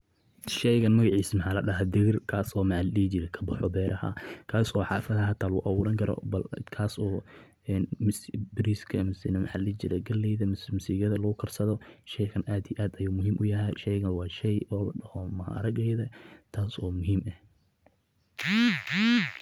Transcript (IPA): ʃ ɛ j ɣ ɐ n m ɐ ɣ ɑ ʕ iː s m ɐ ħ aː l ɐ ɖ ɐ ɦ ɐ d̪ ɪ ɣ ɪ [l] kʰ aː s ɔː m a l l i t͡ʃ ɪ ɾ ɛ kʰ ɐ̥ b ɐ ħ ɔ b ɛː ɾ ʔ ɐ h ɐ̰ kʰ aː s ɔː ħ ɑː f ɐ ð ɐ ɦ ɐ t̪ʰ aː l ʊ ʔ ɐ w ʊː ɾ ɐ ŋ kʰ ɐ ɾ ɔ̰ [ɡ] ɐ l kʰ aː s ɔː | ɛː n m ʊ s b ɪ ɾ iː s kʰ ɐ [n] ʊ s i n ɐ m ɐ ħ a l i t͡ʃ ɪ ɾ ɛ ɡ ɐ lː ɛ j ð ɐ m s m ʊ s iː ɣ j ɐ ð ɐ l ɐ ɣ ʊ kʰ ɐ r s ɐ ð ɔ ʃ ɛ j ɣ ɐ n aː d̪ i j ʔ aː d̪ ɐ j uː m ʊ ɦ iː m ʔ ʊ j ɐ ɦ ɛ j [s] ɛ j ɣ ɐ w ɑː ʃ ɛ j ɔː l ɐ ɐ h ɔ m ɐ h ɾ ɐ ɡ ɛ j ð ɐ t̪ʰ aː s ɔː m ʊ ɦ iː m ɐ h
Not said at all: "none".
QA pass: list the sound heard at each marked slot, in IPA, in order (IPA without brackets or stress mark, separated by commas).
r, b, m, ʃ